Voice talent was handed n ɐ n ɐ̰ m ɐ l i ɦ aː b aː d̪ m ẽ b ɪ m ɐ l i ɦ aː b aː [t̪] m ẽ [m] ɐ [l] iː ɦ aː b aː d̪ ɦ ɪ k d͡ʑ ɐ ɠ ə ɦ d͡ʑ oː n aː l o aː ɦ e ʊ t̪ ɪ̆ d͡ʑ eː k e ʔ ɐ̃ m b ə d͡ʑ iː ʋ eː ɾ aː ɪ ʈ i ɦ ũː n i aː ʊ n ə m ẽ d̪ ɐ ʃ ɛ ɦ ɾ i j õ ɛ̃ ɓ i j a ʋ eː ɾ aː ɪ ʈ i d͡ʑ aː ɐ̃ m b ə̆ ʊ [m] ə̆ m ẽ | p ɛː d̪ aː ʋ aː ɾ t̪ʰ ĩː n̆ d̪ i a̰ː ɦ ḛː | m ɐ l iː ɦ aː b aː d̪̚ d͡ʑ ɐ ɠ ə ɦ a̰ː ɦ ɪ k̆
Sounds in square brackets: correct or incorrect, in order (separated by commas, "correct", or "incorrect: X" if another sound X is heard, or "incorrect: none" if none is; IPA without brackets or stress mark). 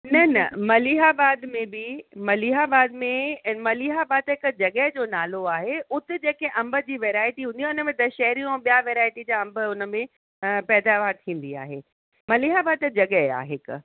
incorrect: d̪, correct, correct, incorrect: n